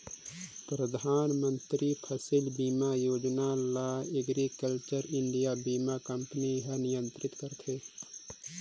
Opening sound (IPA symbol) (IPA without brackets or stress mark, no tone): p